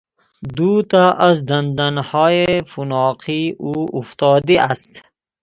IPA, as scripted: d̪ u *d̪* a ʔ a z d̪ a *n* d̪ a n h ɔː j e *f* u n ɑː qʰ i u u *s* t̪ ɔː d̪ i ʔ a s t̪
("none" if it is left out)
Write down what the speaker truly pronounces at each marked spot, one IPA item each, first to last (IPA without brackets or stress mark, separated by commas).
t̪, n, f, f